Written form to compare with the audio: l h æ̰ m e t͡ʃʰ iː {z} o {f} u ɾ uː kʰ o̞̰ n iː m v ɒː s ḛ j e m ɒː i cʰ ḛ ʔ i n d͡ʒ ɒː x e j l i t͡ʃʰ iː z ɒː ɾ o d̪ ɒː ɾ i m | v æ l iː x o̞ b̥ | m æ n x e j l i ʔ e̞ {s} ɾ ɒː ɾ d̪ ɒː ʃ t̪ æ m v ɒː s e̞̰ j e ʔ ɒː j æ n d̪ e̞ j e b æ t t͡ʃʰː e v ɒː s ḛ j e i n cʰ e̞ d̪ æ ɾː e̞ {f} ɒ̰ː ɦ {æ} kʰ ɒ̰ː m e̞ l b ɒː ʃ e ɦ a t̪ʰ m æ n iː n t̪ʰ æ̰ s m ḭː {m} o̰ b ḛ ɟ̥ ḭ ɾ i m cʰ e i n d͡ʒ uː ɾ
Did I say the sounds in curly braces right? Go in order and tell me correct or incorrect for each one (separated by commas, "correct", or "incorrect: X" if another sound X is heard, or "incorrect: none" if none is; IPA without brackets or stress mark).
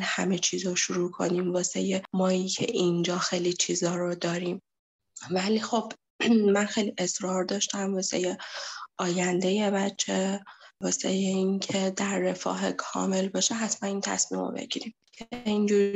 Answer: correct, incorrect: ʃ, correct, correct, incorrect: e, correct